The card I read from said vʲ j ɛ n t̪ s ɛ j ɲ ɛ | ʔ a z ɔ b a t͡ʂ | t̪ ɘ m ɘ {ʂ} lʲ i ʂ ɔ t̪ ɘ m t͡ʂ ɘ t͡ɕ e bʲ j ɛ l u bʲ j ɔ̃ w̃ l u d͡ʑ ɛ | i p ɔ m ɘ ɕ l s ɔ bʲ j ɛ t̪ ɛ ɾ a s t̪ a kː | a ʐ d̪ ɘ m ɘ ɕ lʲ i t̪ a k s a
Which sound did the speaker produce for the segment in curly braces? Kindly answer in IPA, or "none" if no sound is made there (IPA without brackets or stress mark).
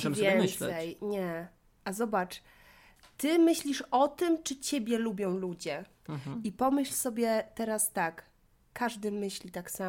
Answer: ɕ